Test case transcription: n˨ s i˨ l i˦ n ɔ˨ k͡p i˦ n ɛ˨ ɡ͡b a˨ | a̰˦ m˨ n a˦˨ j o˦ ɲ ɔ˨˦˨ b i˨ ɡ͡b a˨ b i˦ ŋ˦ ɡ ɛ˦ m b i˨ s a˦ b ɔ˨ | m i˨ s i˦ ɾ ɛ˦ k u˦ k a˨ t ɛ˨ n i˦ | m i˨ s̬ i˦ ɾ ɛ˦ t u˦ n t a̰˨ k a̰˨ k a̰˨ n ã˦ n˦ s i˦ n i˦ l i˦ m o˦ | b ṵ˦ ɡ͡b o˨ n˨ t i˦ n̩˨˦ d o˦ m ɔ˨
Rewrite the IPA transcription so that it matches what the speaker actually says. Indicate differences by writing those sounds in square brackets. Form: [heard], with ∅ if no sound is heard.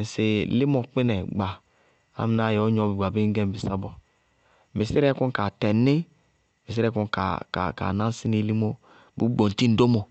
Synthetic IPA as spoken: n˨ s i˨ l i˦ [m] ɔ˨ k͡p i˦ n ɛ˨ ɡ͡b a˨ | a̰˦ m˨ n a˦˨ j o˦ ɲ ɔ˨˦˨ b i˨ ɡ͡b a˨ b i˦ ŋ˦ ɡ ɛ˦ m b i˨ s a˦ b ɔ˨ | m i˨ s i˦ ɾ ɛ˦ k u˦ k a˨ t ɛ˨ n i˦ | m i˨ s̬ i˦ ɾ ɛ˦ [k] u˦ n [k] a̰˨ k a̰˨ k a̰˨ n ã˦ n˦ s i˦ n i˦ l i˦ m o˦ | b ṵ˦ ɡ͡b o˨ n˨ t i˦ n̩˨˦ d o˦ m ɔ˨

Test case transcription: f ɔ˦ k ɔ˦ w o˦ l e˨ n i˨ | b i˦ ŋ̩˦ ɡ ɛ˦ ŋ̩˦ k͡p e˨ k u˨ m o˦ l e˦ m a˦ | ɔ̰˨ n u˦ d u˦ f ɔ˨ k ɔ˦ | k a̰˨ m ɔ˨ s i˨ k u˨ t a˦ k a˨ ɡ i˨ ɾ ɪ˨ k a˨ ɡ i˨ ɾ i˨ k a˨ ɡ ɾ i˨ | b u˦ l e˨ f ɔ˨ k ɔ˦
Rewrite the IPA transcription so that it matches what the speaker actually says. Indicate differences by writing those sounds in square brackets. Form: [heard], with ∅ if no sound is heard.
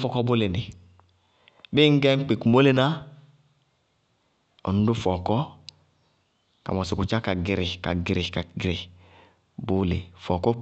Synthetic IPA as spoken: f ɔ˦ k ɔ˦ [b] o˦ l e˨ n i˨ | b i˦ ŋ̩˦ ɡ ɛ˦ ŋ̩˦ k͡p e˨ k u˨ m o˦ l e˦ [n] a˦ | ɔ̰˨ n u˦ d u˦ f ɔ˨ k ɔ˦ | k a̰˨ m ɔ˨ s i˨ k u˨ [t͡ʃ] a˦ k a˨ ɡ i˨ ɾ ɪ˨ k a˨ ɡ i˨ ɾ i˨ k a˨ ɡ ɾ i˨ | b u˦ l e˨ f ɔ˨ k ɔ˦

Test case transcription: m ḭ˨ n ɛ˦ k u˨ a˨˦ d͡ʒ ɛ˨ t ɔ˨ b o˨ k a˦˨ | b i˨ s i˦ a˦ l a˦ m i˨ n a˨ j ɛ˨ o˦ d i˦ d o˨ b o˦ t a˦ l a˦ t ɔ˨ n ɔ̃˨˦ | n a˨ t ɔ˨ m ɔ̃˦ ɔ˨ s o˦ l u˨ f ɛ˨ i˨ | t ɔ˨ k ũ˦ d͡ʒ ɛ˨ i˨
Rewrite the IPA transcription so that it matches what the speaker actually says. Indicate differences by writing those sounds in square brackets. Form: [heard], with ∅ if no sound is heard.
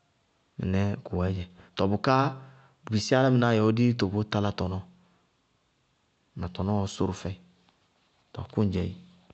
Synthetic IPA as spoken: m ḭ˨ n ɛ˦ k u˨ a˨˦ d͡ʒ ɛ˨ t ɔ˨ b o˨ k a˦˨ | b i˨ s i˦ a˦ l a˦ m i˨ n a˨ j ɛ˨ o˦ d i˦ [t] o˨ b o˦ t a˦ l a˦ t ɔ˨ n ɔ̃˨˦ | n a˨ t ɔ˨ [n] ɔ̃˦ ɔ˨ s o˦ [ɾ] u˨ f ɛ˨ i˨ | t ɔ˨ k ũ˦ d͡ʒ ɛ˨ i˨

